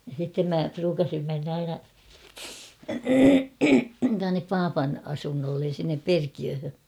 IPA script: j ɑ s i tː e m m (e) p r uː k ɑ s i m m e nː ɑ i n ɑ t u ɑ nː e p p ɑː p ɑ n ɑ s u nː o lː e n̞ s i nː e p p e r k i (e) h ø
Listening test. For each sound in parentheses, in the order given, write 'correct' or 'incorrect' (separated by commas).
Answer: incorrect, incorrect